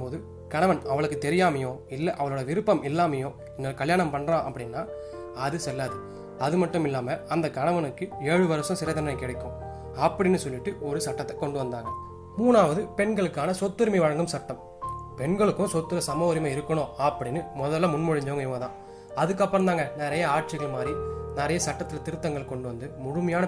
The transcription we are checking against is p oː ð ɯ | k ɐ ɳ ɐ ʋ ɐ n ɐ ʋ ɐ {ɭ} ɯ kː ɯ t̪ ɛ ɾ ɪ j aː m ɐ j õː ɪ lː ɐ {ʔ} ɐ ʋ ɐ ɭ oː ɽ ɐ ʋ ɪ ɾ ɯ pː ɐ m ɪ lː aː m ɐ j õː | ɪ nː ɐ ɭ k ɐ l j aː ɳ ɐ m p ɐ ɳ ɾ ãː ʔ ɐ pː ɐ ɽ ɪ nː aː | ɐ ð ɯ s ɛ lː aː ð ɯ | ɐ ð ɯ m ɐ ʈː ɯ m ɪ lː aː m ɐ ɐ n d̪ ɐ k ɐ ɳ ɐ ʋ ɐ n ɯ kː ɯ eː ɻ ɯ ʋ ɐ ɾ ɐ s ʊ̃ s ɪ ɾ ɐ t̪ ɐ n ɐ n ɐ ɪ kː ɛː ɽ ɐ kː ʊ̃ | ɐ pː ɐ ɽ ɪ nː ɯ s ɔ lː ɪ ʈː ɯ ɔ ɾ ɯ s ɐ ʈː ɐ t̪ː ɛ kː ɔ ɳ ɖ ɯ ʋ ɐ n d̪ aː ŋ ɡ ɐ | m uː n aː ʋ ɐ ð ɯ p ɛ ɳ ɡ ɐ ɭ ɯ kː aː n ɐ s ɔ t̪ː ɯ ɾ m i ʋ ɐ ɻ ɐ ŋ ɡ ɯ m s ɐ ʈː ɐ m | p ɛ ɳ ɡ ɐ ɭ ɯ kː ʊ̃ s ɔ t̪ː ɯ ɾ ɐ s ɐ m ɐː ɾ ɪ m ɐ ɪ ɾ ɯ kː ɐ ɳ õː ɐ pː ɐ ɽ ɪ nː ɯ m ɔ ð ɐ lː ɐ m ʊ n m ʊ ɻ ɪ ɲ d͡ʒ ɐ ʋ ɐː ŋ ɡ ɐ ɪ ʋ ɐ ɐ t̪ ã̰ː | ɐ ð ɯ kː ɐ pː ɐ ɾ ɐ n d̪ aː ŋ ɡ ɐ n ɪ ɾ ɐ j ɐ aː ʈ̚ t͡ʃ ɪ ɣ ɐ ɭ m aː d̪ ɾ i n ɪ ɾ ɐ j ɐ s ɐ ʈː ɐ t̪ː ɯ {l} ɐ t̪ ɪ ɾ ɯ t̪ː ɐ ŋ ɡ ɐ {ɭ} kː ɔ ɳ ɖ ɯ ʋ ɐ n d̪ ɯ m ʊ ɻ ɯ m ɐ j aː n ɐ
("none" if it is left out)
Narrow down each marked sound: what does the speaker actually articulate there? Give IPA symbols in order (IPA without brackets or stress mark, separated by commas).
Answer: ɭ, ʔ, l, ɭ